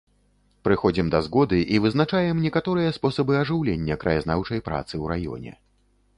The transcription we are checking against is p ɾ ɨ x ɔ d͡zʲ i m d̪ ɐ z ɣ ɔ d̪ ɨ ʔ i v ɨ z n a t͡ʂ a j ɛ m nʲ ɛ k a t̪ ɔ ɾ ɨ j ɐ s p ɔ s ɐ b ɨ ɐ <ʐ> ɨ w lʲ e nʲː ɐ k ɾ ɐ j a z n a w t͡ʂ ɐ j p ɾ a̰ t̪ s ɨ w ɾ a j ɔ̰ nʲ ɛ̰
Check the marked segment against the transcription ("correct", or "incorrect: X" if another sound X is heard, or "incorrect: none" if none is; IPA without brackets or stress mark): correct